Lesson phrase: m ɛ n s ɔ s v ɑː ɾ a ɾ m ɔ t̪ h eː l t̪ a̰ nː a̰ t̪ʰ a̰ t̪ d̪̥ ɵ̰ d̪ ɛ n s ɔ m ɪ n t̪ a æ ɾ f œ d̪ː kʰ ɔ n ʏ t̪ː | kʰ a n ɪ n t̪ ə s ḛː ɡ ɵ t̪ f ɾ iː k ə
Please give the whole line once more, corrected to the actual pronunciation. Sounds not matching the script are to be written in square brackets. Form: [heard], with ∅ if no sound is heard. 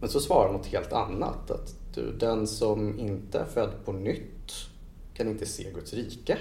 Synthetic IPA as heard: m ɛ n s ɔ s v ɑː ɾ a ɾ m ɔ t̪ h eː l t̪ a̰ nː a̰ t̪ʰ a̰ t̪ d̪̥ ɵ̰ d̪ ɛ n s ɔ m ɪ n t̪ [ə] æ ɾ f œ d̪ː [pʰ] ɔ n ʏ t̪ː | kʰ a n ɪ n t̪ ə s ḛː ɡ ɵ t̪ [s] ɾ iː k ə